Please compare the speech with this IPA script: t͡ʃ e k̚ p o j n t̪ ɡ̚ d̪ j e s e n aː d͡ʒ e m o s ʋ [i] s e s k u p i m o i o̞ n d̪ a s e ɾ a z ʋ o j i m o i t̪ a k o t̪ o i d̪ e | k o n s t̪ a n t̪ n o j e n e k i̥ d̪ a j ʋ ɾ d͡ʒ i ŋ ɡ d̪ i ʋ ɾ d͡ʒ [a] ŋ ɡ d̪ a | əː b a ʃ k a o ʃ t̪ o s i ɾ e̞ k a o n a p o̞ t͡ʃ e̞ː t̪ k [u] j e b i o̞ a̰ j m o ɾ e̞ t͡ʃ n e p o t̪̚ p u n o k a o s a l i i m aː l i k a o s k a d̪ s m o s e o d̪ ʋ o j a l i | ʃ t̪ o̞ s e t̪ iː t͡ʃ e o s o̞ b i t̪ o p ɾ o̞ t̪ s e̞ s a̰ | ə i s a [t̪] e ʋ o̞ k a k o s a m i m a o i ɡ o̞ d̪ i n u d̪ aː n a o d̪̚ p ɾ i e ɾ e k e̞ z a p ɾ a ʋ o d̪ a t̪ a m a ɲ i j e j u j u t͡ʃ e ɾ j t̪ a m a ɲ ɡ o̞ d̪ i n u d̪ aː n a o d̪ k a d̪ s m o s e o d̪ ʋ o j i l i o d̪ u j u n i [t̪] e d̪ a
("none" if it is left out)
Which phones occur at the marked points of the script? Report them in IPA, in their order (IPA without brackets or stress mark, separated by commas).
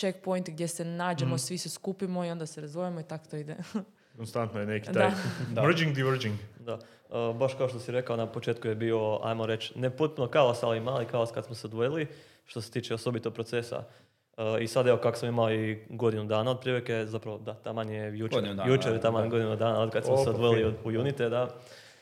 i, i, u, d̪, t̪